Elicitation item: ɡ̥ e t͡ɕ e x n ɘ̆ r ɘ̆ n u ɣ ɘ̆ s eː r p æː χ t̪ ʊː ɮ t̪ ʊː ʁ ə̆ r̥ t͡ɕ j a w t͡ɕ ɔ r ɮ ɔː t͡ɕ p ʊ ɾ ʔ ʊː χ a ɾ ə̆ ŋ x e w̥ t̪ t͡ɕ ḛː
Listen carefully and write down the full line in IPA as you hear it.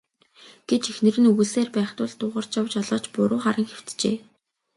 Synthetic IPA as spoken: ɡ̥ e t͡ɕ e x n ɘ̆ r ɘ̆ n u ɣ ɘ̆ s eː r p æː χ t̪ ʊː ɮ t̪ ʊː ʁ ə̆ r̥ t͡ɕ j a w t͡ɕ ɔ ɮ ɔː t͡ɕ p ʊ ɾ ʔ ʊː χ a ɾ ə̆ ŋ x e w̥ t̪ t͡ɕ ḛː